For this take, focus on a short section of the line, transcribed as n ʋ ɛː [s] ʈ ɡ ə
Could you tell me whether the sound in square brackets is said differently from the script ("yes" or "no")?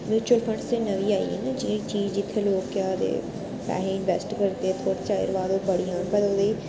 no